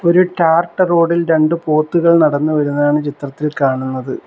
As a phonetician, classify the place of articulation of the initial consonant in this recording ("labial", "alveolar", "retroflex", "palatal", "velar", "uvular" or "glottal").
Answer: alveolar